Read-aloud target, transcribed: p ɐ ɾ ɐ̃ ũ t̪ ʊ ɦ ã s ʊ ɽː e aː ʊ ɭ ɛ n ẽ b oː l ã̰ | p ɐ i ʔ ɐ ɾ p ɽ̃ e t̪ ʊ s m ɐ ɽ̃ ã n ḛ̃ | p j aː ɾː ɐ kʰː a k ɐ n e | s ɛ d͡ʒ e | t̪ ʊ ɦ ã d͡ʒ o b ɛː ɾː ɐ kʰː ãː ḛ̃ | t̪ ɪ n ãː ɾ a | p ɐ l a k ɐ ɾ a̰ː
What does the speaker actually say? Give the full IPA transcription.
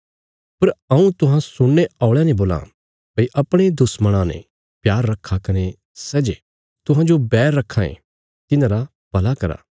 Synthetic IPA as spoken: p ɐ ɾ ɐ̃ ũ t̪ ʊ ɦ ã s ʊ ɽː e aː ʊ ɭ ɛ n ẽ b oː l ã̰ | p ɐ i ʔ ɐ p ɽ̃ e d̪ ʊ s m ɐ ɽ̃ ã n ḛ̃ | p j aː ɾː ɐ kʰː a k ɐ n e | s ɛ d͡ʒ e | t̪ ʊ ɦ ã d͡ʒ o b ɛː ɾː ɐ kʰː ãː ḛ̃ | t̪ ɪ n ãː ɾ a | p ɐ l a k ɐ ɾ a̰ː